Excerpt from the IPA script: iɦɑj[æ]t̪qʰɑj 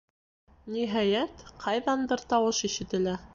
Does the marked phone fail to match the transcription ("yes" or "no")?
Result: no